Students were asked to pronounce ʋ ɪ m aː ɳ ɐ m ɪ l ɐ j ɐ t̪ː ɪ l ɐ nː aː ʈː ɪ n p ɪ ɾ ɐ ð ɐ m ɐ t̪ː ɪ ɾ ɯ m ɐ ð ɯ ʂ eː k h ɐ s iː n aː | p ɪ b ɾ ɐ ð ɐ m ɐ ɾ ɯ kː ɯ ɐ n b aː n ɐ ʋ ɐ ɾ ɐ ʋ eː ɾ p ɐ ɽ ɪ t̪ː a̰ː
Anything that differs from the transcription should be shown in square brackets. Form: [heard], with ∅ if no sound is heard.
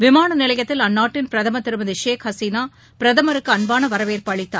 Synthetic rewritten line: ʋ ɪ m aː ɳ ɐ [n] ɪ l ɐ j ɐ t̪ː ɪ l ɐ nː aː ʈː ɪ n p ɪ ɾ ɐ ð ɐ m ɐ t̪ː ɪ ɾ ɯ m ɐ ð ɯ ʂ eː k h ɐ s iː n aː | p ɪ [∅] ɾ ɐ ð ɐ m ɐ ɾ ɯ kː ɯ ɐ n b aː n ɐ ʋ ɐ ɾ ɐ ʋ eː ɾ p ɐ [ɭ] ɪ t̪ː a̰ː